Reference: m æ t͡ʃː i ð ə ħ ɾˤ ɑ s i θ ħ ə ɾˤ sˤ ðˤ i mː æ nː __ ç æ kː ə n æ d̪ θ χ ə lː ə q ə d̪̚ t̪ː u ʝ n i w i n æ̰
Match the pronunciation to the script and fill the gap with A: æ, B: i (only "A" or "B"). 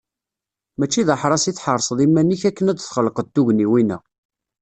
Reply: B